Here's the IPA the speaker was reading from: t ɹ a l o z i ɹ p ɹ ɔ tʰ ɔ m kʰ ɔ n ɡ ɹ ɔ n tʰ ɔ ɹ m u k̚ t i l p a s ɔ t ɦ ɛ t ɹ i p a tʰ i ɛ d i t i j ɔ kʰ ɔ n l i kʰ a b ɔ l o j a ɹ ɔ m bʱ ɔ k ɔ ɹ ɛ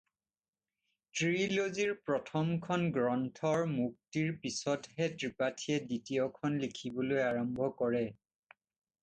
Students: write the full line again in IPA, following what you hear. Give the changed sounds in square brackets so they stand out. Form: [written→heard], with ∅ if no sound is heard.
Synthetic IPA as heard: t ɹ [a→i] l o z i ɹ p ɹ ɔ tʰ ɔ m kʰ ɔ n ɡ ɹ ɔ n tʰ ɔ ɹ m u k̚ t i [l→ɹ] p [a→i] s ɔ t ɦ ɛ t ɹ i p a tʰ i ɛ d i t i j ɔ kʰ ɔ n l i kʰ [a→i] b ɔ l o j a ɹ ɔ m bʱ ɔ k ɔ ɹ ɛ

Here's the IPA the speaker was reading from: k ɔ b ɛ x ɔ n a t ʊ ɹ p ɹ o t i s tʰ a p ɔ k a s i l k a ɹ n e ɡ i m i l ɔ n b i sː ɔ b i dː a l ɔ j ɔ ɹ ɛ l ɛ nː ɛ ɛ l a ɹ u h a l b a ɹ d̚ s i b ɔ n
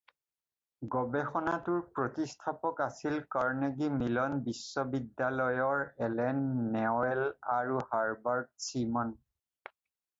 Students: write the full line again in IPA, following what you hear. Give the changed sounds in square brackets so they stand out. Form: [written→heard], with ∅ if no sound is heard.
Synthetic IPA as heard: [k→ɡ] ɔ b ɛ x ɔ n a t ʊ ɹ p ɹ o t i s tʰ a p ɔ k a s i l k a ɹ n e ɡ i m i l ɔ n b i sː ɔ b i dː a l ɔ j ɔ ɹ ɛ l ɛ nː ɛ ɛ l a ɹ u h a [l→ɹ] b a ɹ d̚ s i [b→m] ɔ n

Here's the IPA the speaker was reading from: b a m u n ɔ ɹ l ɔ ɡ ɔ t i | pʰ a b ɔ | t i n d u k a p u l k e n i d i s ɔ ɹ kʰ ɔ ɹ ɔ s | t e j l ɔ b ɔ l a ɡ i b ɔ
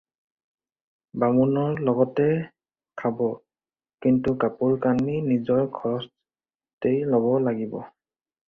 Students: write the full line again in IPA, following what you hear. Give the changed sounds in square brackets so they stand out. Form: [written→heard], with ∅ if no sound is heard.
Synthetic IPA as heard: b a m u n ɔ ɹ l ɔ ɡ ɔ t [i→ɛ] | [pʰ→kʰ] a b ɔ | [t→k] i n [d→t] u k a p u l k [e→a] n i [d→n] i [s→z] ɔ ɹ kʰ ɔ ɹ ɔ s | t e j l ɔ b ɔ l a ɡ i b ɔ

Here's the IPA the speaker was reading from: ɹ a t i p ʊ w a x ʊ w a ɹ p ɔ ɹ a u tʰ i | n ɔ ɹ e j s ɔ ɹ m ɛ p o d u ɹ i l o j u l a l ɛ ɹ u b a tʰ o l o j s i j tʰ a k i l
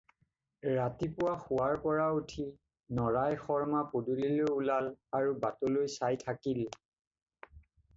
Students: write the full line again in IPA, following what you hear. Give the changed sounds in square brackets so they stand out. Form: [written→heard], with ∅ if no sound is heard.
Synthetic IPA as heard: ɹ a t i p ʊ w a x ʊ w a ɹ p ɔ ɹ a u tʰ i | n ɔ ɹ [e→a] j [s→x] ɔ ɹ m [ɛ→a] p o d u [ɹ→l] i l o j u l a l [ɛ→a] ɹ u b a [tʰ→t] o l o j s [i→a] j tʰ a k i l

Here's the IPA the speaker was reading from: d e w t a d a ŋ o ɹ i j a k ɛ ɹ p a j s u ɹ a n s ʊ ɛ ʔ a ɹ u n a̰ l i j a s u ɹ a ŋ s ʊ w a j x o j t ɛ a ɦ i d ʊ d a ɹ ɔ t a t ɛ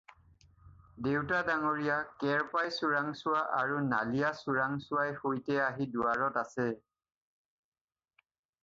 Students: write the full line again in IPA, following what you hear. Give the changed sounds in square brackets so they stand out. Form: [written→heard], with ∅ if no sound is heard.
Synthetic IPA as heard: d e w t a d a ŋ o ɹ i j a k ɛ ɹ p a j s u ɹ a [n→ŋ] s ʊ [ɛ→a] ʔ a ɹ u n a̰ l i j a s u ɹ a ŋ s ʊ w a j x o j t ɛ a ɦ i d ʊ [d→∅] a ɹ ɔ t a [t→s] ɛ

